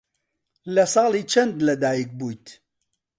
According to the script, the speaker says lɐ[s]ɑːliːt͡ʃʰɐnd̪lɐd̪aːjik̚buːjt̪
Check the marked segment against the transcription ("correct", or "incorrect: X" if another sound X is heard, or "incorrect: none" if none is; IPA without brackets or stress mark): correct